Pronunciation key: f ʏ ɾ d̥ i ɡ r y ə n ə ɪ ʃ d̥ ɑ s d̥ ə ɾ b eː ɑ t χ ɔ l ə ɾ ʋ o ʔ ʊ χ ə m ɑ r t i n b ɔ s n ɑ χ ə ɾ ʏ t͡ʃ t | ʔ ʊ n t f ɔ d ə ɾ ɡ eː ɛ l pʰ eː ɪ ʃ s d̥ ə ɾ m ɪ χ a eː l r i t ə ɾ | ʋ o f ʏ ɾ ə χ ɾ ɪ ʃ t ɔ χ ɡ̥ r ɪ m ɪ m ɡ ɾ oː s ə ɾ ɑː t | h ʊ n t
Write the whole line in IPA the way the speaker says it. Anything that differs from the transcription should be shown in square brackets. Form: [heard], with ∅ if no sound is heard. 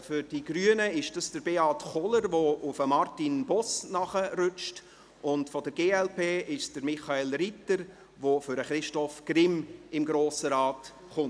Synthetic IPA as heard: f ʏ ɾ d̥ i ɡ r y ə n ə ɪ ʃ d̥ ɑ s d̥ ə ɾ b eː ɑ t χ ɔ l ə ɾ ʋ o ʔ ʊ [f] ə m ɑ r t i n b ɔ s n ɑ χ ə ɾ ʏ t͡ʃ t | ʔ ʊ n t f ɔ d ə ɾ ɡ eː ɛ l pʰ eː ɪ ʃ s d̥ ə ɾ m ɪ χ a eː l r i t ə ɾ | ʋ o f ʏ ɾ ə χ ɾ ɪ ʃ t ɔ [f] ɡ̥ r ɪ m ɪ m ɡ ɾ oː s ə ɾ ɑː t | [χ] ʊ n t